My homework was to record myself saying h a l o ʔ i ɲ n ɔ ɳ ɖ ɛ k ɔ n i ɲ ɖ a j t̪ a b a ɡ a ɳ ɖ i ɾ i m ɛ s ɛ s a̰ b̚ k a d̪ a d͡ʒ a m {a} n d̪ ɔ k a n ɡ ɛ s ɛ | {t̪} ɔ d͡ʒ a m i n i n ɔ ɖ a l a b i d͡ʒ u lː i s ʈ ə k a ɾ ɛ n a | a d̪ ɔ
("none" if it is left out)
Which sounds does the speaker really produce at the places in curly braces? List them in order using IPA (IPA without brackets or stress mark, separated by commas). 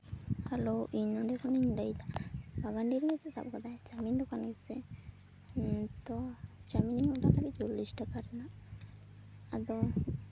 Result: i, t̪